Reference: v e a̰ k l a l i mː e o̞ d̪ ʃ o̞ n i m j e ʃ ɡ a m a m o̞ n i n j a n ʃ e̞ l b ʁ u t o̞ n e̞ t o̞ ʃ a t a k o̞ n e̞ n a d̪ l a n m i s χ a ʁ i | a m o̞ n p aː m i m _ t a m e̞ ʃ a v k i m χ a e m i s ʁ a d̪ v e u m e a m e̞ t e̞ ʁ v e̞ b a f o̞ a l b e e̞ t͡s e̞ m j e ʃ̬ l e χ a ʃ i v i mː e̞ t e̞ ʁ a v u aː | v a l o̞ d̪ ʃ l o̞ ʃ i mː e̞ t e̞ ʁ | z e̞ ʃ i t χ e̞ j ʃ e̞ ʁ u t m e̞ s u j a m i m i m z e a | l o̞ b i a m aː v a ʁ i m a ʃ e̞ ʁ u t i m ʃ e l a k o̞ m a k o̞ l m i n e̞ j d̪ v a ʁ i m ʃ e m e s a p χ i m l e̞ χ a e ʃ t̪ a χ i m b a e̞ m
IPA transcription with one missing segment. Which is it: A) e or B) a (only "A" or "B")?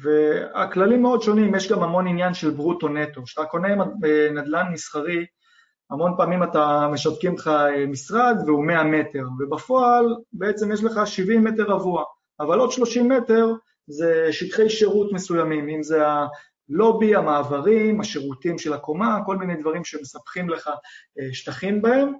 B